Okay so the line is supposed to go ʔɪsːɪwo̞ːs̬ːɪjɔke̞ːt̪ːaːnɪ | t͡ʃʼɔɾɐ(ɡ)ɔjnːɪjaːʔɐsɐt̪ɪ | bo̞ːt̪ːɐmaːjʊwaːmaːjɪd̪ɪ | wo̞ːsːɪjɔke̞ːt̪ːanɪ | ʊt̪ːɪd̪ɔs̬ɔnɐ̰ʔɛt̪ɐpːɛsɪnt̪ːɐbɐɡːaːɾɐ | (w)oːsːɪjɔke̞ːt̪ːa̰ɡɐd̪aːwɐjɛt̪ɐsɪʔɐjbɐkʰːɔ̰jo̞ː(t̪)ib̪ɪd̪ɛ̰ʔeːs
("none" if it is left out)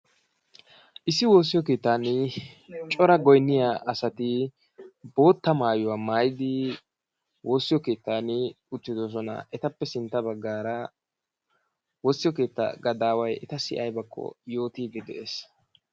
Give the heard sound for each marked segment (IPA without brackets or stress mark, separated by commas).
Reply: ɡ, w, t̪